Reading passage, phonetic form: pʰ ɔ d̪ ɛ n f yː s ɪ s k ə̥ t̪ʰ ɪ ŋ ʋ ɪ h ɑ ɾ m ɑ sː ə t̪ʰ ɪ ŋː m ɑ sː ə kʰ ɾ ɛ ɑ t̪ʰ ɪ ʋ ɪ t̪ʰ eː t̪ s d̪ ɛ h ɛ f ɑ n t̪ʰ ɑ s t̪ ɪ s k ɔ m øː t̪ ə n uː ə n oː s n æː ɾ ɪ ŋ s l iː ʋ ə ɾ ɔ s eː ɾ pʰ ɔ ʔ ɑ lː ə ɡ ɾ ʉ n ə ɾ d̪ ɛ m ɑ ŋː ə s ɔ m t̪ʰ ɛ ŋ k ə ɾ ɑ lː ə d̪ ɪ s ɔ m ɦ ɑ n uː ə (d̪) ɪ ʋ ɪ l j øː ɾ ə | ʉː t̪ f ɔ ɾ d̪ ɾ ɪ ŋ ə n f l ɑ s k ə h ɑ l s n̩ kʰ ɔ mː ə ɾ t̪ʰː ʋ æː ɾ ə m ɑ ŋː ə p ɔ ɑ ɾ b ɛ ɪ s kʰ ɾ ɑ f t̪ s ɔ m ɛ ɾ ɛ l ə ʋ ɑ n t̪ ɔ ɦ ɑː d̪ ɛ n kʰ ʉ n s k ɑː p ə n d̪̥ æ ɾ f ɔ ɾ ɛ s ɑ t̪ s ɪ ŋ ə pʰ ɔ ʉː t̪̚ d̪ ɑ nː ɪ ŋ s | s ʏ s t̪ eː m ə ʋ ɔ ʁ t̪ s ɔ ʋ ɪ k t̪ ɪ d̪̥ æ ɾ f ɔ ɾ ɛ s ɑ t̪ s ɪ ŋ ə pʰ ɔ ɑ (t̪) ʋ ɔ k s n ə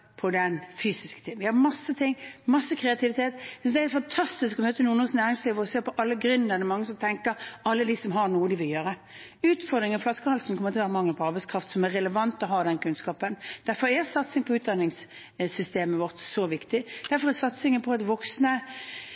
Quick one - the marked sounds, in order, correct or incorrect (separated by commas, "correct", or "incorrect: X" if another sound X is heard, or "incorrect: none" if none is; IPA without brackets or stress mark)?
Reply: correct, correct